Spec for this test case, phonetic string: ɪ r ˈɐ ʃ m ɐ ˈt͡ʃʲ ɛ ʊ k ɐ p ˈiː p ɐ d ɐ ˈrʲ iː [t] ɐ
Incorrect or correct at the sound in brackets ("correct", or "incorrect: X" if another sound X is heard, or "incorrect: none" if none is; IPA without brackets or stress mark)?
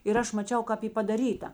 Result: correct